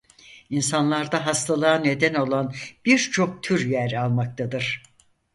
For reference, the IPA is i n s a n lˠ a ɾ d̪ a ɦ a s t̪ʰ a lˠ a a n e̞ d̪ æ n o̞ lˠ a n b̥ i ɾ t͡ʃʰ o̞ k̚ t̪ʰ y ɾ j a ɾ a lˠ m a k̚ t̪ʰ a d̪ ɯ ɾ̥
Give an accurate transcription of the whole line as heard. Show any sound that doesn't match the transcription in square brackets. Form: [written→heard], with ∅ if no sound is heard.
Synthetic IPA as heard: i n s a n lˠ a ɾ d̪ a ɦ a s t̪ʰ a lˠ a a n e̞ d̪ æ n o̞ lˠ a n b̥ i ɾ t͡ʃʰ o̞ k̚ t̪ʰ y ɾ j [a→æ] ɾ a lˠ m a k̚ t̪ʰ a d̪ ɯ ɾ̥